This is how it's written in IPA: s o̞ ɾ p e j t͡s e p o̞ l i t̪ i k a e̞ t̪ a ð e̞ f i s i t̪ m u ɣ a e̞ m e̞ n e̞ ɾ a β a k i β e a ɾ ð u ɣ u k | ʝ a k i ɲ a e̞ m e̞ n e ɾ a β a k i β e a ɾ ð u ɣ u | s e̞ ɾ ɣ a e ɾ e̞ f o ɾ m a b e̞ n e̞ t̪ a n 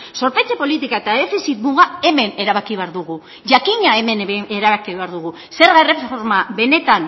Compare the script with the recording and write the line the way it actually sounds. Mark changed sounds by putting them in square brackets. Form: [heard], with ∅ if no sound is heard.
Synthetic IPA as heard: s o̞ ɾ p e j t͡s e p o̞ l i t̪ i k a e̞ t̪ a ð e̞ f i s i t̪ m u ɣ a e̞ m e̞ n e̞ ɾ a β a k i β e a ɾ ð u ɣ u [∅] | ʝ a k i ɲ a e̞ m e̞ n e ɾ a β a k i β e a ɾ ð u ɣ u | s e̞ ɾ ɣ a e [r] e̞ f o ɾ m a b e̞ n e̞ t̪ a n